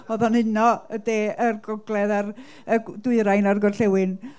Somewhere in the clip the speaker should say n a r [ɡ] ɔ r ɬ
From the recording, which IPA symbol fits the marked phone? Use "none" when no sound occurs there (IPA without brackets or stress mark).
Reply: ɡ